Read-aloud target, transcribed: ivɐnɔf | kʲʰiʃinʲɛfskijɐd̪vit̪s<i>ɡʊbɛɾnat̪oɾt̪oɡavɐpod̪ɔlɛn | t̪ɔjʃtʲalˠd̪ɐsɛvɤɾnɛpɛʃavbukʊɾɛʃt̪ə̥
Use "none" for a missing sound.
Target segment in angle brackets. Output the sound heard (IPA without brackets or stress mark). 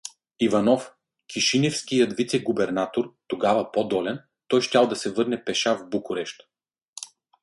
ɛ